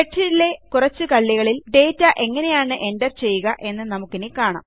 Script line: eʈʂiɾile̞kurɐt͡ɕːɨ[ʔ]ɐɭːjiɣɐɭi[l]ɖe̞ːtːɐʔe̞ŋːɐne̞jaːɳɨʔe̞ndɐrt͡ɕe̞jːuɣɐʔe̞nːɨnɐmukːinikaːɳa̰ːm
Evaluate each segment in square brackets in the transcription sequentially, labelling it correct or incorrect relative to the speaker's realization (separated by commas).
incorrect, correct